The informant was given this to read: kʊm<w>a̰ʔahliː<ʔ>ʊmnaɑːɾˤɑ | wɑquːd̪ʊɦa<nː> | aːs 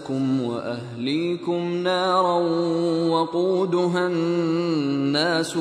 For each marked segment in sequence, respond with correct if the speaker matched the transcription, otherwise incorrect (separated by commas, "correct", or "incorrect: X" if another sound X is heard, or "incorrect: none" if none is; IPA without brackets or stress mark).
correct, incorrect: k, correct